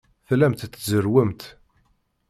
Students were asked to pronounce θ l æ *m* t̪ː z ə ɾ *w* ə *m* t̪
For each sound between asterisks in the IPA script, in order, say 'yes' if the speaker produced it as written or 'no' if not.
yes, yes, yes

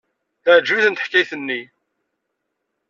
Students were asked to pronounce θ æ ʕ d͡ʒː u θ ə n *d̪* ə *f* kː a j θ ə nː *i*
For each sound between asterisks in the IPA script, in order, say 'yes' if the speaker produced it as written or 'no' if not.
no, no, yes

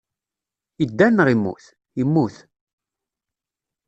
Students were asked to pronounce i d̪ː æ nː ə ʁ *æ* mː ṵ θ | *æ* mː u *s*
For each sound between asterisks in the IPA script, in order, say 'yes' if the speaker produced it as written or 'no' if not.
no, no, no

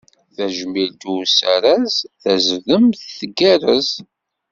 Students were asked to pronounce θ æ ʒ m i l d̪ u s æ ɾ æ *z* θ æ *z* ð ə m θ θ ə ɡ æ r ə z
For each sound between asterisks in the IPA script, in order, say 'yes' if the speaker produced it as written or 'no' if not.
yes, yes

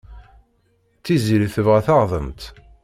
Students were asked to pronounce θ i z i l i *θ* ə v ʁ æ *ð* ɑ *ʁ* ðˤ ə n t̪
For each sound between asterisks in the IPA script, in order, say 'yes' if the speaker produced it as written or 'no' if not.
yes, no, yes

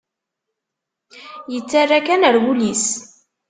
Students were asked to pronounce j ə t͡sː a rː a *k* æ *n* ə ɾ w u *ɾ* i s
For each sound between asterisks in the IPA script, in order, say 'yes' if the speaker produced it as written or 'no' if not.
yes, yes, no

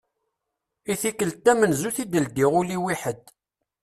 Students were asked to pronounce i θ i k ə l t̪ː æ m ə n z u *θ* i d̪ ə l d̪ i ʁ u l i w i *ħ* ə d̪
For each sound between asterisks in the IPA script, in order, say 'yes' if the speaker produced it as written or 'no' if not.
yes, yes

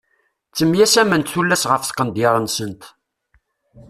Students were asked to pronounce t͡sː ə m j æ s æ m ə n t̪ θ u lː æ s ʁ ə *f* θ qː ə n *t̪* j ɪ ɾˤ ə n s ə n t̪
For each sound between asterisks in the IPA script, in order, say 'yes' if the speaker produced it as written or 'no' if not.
yes, no

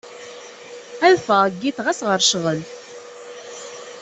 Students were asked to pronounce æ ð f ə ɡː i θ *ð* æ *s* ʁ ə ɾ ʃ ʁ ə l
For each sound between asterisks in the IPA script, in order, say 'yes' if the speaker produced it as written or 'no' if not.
no, yes

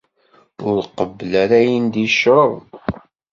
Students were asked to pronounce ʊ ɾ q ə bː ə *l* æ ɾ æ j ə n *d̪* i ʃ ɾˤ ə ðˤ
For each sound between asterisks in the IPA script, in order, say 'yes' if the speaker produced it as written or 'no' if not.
yes, yes

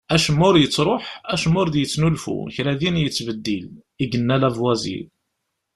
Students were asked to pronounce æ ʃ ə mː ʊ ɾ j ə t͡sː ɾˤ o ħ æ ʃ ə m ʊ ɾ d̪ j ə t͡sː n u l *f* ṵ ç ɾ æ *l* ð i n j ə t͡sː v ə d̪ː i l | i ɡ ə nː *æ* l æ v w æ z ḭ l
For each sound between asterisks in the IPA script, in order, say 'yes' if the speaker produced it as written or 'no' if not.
yes, no, yes

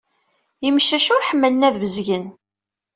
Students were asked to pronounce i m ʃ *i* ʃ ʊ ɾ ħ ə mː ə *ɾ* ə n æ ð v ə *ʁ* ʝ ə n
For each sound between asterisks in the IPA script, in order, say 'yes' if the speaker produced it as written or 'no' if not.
no, no, no

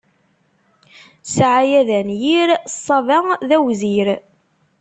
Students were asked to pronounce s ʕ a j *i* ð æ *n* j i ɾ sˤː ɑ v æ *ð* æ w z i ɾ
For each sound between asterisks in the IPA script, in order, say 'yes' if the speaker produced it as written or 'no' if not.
no, yes, yes

